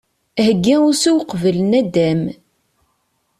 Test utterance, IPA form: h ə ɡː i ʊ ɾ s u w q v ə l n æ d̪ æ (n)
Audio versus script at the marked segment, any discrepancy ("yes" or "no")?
yes